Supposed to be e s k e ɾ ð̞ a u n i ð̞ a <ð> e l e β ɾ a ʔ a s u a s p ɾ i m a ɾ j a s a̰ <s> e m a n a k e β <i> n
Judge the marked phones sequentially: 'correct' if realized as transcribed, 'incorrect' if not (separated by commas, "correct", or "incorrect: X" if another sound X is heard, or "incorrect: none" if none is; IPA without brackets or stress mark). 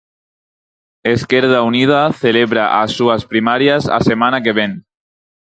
incorrect: θ, correct, incorrect: e